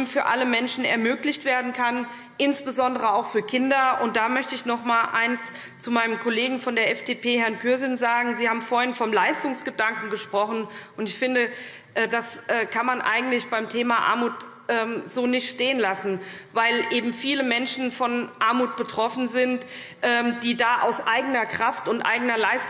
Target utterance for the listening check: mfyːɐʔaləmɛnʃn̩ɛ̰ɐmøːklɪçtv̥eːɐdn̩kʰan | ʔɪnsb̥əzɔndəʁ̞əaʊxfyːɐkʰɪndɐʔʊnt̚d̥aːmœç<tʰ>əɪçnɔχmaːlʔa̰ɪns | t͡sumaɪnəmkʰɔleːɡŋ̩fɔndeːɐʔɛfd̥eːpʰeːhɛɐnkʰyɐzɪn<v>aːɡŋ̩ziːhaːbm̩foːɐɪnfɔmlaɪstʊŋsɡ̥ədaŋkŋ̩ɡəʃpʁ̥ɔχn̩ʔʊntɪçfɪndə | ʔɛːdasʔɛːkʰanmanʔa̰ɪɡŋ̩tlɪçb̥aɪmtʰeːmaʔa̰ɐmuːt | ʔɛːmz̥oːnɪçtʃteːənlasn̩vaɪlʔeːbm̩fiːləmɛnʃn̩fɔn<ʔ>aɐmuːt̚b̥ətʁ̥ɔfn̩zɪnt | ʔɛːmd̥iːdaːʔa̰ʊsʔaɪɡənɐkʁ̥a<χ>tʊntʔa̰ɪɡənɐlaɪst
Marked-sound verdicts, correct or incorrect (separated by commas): incorrect, incorrect, correct, incorrect